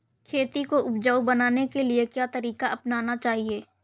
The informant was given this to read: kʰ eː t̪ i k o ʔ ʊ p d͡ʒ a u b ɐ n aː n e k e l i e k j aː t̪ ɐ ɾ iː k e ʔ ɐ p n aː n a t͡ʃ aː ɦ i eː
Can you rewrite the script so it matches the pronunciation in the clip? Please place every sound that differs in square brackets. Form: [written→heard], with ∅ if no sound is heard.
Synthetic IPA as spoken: kʰ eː t̪ i k o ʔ ʊ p d͡ʒ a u b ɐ n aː n e k e l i e k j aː t̪ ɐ ɾ iː k [e→a] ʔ ɐ p n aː n a t͡ʃ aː ɦ i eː